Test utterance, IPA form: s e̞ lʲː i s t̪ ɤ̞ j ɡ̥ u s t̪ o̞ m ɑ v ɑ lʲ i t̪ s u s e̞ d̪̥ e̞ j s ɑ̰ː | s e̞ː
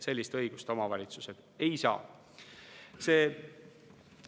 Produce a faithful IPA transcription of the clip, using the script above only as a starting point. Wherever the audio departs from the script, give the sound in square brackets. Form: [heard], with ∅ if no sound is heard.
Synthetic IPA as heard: s e̞ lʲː i s t̪ ɤ̞ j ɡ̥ u s t̪ o̞ m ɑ v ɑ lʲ i t̪ s u s e̞ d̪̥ e̞ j s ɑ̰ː | s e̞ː